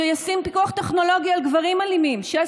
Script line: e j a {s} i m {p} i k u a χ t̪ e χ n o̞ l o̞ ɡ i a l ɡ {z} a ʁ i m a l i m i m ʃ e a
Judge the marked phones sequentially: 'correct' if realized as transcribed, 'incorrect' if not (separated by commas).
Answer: correct, correct, incorrect